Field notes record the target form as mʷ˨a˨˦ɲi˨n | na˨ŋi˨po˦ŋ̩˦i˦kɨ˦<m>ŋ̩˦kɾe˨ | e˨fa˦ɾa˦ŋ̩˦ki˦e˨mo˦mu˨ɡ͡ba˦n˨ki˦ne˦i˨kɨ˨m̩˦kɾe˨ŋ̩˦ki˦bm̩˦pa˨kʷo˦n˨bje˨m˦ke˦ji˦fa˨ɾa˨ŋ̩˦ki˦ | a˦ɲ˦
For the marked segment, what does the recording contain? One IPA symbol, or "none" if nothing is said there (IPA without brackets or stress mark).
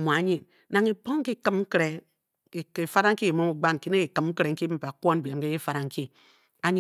m